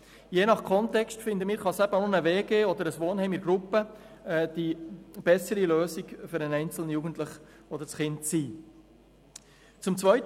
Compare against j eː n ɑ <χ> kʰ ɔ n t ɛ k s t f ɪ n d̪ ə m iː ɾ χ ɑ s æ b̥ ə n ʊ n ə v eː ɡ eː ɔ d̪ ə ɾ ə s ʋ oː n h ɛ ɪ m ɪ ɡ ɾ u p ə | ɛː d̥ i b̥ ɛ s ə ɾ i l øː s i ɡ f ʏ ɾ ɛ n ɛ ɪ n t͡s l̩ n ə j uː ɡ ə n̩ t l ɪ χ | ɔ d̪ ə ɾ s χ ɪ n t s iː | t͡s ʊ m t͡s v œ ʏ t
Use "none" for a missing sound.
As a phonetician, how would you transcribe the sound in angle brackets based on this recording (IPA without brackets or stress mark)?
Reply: χ